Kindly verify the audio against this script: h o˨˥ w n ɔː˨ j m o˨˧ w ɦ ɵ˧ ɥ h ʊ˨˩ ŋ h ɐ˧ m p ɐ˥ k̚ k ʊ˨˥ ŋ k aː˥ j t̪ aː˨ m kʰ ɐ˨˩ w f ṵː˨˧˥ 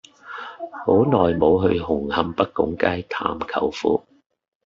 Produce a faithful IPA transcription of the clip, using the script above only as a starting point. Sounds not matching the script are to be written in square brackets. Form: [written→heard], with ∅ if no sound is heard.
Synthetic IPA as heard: h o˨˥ w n ɔː˨ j m o˨˧ w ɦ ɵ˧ ɥ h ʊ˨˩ ŋ h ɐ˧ m p ɐ˥ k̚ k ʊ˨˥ ŋ k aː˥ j [t̪→t̪ʰ] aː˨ m kʰ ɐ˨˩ w f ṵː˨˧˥

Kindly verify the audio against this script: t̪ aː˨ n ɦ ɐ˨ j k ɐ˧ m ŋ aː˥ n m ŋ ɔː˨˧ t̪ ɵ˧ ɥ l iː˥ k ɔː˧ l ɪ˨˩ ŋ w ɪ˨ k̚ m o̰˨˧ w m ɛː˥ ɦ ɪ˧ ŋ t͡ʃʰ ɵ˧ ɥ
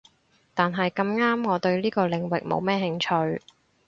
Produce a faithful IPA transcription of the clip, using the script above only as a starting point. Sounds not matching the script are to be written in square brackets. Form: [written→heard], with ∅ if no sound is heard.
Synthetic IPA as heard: t̪ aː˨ n ɦ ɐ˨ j k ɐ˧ m ŋ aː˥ [n→∅] m ŋ ɔː˨˧ t̪ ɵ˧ ɥ l iː˥ k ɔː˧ l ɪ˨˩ ŋ w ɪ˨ k̚ m o̰˨˧ w m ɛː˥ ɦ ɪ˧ ŋ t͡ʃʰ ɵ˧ ɥ

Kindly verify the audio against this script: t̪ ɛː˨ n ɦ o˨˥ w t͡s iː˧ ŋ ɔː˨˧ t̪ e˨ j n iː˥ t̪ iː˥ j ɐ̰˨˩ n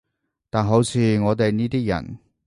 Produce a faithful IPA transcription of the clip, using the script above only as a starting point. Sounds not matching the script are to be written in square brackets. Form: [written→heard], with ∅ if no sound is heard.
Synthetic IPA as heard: t̪ [ɛː˨→aː˨] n ɦ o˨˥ w [t͡s→t͡sʰ] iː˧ ŋ ɔː˨˧ t̪ e˨ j n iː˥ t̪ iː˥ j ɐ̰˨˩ n

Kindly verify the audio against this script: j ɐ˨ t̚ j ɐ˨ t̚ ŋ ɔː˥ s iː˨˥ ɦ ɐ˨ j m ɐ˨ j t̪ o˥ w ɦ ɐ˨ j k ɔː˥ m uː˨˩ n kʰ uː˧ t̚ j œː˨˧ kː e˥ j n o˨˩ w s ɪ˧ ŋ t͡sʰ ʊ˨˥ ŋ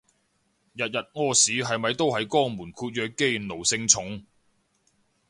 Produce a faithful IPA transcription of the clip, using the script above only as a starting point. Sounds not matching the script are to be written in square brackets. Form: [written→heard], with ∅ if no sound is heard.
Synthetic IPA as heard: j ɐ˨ t̚ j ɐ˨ t̚ ŋ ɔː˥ s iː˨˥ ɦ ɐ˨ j m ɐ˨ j t̪ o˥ w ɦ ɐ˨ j k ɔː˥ m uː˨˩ n kʰ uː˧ t̚ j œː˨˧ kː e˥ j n o˨˩ w s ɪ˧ ŋ t͡sʰ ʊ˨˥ ŋ

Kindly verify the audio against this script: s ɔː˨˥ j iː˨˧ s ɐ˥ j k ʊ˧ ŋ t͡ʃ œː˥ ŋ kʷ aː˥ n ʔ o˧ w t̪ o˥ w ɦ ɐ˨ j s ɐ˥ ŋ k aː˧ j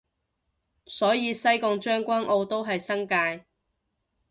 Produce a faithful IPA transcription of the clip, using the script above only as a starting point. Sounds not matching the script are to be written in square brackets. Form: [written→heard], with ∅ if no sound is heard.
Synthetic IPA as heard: s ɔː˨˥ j iː˨˧ s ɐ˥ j k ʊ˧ ŋ t͡ʃ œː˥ ŋ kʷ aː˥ n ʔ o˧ w t̪ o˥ w ɦ ɐ˨ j s ɐ˥ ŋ k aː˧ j

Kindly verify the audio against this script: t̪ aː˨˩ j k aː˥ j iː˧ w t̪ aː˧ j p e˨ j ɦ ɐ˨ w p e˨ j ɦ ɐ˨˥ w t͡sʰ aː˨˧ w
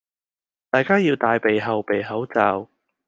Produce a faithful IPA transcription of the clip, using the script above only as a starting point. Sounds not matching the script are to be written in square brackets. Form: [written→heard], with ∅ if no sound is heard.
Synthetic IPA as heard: t̪ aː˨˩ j k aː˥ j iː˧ w t̪ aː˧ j p e˨ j ɦ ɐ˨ w p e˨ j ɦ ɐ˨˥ w [t͡sʰ→t͡s] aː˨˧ w

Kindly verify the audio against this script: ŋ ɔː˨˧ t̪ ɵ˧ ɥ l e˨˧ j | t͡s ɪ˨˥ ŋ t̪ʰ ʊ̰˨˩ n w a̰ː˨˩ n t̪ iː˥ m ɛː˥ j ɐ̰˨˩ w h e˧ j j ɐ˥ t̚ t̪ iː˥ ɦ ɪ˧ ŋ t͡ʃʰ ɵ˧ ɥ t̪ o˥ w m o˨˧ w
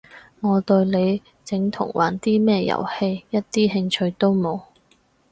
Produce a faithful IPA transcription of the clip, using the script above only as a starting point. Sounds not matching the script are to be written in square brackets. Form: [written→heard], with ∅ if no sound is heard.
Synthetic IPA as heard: ŋ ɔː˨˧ t̪ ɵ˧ ɥ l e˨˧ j | t͡s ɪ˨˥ ŋ t̪ʰ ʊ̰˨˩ [n→ŋ] w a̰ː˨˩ n t̪ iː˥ m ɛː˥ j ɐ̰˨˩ w h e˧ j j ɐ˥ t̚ t̪ iː˥ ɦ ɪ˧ ŋ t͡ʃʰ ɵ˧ ɥ t̪ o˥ w m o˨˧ w

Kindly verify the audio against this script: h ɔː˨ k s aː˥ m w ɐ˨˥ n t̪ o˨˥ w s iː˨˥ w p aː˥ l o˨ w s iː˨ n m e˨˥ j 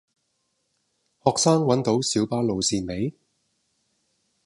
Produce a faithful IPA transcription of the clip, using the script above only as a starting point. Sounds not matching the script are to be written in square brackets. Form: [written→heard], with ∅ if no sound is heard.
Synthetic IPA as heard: h ɔː˨ k s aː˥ [m→ŋ] w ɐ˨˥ n t̪ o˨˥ w s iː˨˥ w p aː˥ l o˨ w s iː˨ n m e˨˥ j

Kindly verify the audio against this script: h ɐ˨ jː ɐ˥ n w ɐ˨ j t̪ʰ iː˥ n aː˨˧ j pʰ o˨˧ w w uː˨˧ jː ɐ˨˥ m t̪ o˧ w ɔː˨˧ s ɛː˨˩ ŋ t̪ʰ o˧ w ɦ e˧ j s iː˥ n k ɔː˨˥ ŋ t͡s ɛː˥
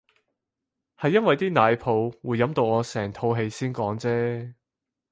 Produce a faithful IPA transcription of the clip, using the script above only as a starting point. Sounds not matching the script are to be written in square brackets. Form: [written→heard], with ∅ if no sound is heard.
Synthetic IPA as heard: h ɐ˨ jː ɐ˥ n w ɐ˨ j [t̪ʰ→t̪] iː˥ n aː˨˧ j pʰ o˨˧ w w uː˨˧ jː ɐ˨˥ m t̪ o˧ w ɔː˨˧ s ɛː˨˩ ŋ t̪ʰ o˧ w ɦ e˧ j s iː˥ n k ɔː˨˥ ŋ t͡s ɛː˥

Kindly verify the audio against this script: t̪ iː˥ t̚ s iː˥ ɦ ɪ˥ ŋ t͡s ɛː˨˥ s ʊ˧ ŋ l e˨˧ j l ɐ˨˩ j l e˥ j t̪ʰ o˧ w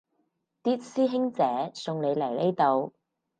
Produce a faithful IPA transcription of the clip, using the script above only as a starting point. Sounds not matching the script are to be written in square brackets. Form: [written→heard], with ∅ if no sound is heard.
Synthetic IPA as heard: t̪ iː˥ t̚ s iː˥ ɦ ɪ˥ ŋ t͡s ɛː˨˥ s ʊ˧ ŋ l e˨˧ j l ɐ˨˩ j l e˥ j [t̪ʰ→t̪] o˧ w

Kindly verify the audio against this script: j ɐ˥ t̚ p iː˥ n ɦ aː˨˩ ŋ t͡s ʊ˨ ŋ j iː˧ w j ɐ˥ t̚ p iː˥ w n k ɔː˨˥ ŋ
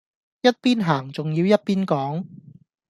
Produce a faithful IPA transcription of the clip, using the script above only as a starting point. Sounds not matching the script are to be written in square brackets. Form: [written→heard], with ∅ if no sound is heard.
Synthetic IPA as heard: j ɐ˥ t̚ p iː˥ n ɦ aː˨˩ ŋ t͡s ʊ˨ ŋ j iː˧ w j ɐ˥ t̚ p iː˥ [w→∅] n k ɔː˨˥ ŋ

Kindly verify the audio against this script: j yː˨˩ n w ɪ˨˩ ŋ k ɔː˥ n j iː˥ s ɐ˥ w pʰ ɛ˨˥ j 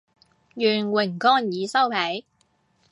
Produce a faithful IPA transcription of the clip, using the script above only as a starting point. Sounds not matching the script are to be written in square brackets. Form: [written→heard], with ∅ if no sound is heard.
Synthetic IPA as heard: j yː˨˩ n w ɪ˨˩ ŋ k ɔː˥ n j [iː˥→iː˨˧] s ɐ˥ w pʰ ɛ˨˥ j

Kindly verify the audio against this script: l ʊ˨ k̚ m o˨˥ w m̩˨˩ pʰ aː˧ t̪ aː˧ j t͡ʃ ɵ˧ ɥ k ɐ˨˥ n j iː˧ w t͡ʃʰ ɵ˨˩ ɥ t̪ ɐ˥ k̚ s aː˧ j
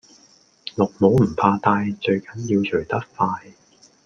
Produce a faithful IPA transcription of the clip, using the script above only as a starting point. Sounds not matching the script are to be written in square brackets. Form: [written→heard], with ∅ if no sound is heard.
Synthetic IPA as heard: l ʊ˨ k̚ m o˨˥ w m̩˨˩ pʰ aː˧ t̪ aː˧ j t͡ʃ ɵ˧ ɥ k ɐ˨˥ n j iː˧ w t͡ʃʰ ɵ˨˩ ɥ t̪ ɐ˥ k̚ [s→f] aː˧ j

